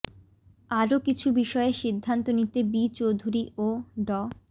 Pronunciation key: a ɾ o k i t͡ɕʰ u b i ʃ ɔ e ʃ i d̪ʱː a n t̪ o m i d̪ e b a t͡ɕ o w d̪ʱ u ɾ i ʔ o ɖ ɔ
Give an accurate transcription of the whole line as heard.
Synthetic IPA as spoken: a ɾ o k i t͡ɕʰ u b i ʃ ɔ e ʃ i d̪ʱː a n t̪ o n i t̪ e b i t͡ɕ o w d̪ʱ u ɾ i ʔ o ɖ ɔ

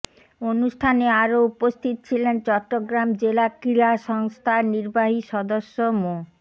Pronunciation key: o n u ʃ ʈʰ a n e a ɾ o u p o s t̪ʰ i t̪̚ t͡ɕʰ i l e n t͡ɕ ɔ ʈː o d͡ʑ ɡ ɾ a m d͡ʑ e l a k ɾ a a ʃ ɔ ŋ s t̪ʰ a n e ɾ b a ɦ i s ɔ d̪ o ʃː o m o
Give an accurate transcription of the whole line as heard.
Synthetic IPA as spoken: o n u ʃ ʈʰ a n e a ɾ o u p o s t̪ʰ i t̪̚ t͡ɕʰ i l e n t͡ɕ ɔ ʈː o ɡ ɾ a m d͡ʑ e l a k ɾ i a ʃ ɔ ŋ s t̪ʰ a n i ɾ b a ɦ i ʃ ɔ d̪ o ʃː o m o

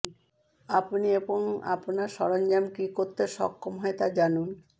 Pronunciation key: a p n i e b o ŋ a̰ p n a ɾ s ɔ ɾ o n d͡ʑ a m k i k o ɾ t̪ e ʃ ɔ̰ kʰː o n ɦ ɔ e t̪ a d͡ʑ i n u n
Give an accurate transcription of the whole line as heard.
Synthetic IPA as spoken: a p n i e b o ŋ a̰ p n a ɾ ʃ ɔ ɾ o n d͡ʑ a m k i k o ɾ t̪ e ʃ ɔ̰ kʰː o m ɦ ɔ e t̪ a d͡ʑ a n u n

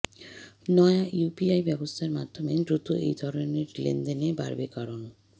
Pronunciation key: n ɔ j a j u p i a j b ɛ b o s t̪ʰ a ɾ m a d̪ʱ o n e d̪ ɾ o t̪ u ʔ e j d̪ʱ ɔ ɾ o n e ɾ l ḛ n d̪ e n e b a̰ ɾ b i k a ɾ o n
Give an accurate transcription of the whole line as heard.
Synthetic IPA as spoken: n ɔ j a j u p i a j b ɛ b o s t̪ʰ a ɾ m a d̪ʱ o m e d̪ ɾ u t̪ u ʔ e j d̪ʱ ɔ ɾ o n e ɾ l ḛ n d̪ e n e b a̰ ɾ b e k a ɾ o n

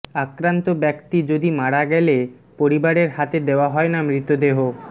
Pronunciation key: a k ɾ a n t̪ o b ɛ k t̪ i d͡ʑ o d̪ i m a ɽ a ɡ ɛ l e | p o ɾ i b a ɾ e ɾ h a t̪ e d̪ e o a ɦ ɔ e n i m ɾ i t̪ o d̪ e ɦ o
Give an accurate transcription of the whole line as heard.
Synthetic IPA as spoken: a k ɾ a n t̪ o b ɛ k t̪ i d͡ʑ o d̪ i m a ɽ a ɡ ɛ l e | p o ɾ i b a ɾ e ɾ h a t̪ e d̪ e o a ɦ ɔ e n a m ɾ i t̪ o d̪ e ɦ o

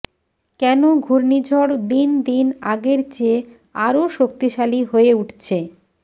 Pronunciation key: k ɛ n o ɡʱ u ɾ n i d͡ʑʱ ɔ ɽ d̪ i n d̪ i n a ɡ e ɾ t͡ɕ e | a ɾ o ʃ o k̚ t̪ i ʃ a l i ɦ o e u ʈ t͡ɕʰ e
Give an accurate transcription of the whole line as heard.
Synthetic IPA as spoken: k ɛ n o ɡʱ u ɾ n i d͡ʑʱ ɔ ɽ d̪ i n d̪ i n a ɡ e ɾ t͡ɕ e | a ɾ o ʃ o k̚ t̪ i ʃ a l i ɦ o e u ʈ t͡ɕʰ e

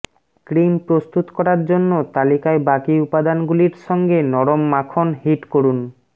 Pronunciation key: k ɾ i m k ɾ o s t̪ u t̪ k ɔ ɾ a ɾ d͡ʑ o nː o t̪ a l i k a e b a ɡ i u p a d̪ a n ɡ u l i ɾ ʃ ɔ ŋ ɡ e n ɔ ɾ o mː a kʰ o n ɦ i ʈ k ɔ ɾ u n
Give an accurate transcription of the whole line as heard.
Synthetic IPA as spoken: k ɾ i m p ɾ o s t̪ u t̪ k ɔ ɾ a ɾ d͡ʑ o nː o t̪ a l i k a e b a k i u p a d̪ a n ɡ u l i ɾ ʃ ɔ ŋ ɡ e n ɔ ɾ o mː a kʰ o n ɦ i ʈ k o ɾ u n

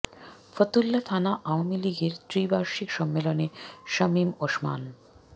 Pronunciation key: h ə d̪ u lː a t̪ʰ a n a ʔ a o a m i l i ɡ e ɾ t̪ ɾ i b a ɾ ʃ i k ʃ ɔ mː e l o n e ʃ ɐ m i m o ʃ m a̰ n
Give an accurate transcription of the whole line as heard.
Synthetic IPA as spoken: f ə t̪ u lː a t̪ʰ a n a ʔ a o a m i l i ɡ e ɾ t̪ ɾ i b a ɾ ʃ i k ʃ ɔ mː e l o n e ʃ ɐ m i m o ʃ m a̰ n

